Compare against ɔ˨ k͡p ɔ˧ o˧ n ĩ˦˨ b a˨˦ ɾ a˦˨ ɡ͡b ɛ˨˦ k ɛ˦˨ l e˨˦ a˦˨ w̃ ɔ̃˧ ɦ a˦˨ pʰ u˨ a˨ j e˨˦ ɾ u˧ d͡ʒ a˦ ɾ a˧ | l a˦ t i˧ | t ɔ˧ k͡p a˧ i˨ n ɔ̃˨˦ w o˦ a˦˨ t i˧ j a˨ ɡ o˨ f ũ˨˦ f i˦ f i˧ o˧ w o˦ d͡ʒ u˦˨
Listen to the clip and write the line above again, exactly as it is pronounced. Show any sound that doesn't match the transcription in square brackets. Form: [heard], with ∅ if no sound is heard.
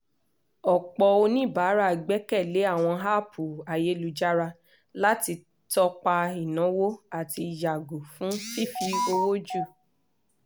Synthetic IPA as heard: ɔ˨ k͡p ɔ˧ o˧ n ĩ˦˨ b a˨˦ ɾ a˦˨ ɡ͡b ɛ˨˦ k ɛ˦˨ l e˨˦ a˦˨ w̃ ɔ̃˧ ɦ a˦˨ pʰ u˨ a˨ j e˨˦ [l] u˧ d͡ʒ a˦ ɾ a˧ | l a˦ t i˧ | t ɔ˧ k͡p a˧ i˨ n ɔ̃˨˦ w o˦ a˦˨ t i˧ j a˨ ɡ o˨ f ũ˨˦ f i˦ f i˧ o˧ w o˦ d͡ʒ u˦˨